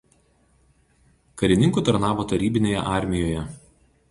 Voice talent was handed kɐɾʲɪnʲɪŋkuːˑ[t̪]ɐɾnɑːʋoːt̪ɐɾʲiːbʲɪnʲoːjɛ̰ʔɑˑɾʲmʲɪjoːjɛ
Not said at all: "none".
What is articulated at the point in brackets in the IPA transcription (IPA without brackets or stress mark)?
t̪